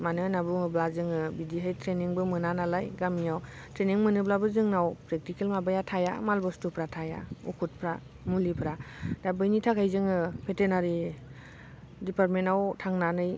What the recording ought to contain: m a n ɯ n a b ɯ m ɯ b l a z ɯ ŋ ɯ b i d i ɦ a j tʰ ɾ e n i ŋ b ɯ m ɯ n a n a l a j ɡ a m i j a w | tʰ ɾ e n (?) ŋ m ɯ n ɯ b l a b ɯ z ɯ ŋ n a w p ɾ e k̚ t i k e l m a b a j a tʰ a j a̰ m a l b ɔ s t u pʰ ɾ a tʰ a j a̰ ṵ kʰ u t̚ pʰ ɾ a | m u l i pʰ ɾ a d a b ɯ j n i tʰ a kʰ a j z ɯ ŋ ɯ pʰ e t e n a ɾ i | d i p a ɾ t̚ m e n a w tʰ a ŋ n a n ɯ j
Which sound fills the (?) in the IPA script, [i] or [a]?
i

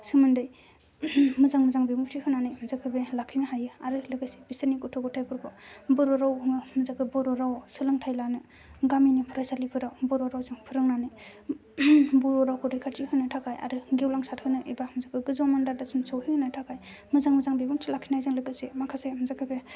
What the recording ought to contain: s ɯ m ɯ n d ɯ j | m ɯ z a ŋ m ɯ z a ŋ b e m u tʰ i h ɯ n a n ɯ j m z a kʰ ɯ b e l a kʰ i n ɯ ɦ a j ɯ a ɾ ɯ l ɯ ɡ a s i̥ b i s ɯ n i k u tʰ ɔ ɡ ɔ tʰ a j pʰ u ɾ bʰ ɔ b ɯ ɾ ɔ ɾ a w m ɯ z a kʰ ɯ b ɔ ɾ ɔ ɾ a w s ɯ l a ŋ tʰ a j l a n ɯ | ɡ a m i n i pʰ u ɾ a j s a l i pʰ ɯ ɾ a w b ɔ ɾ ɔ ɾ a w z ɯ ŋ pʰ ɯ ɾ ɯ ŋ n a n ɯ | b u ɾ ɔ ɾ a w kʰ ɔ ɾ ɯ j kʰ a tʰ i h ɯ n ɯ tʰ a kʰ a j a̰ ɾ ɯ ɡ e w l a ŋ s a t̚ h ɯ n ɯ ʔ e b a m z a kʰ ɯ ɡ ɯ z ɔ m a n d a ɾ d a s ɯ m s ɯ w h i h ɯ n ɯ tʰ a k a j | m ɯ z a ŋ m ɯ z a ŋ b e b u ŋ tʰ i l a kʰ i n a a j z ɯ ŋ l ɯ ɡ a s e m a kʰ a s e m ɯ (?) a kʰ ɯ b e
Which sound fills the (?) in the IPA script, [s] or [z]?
z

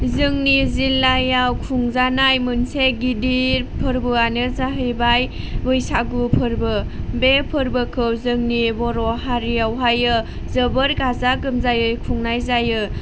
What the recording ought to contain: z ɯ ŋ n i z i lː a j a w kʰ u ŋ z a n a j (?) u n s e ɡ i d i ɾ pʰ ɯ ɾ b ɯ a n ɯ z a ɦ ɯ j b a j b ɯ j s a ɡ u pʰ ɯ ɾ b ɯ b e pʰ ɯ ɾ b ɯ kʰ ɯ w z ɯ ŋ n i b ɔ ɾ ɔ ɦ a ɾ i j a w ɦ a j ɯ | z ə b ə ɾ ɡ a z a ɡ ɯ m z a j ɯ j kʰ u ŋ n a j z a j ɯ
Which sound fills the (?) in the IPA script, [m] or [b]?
m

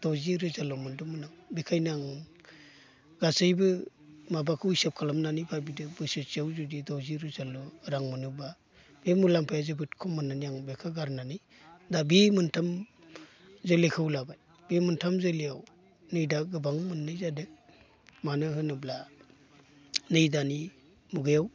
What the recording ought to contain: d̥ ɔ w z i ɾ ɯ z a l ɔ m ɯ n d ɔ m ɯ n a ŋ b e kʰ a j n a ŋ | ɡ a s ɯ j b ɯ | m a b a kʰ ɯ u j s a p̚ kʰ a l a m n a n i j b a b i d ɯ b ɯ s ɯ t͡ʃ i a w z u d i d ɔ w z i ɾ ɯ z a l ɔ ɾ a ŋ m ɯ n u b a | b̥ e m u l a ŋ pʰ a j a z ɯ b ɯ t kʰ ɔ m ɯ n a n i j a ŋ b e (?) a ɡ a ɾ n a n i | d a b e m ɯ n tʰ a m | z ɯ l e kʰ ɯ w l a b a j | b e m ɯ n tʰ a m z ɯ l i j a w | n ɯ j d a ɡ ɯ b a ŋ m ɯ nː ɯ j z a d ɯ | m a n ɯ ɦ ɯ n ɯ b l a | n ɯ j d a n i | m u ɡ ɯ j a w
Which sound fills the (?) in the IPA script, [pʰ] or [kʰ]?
kʰ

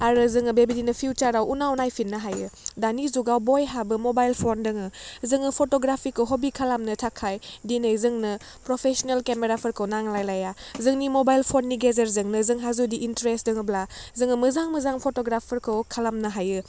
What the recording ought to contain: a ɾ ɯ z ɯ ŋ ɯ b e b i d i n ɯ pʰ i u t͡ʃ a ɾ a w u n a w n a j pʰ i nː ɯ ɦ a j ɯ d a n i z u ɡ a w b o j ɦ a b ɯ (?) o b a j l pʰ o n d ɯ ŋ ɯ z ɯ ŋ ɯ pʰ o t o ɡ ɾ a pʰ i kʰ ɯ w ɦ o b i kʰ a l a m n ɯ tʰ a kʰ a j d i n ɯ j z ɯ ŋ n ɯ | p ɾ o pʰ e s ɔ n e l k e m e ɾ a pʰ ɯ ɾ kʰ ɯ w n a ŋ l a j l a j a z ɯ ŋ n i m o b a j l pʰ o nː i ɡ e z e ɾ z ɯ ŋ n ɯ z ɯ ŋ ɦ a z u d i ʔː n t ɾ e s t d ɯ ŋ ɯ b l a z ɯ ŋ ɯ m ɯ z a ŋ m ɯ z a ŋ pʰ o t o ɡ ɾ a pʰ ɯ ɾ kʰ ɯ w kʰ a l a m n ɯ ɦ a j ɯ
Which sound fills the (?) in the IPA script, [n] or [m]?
m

